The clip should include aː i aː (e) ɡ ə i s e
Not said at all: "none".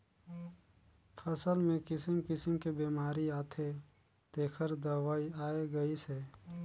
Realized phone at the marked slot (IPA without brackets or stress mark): e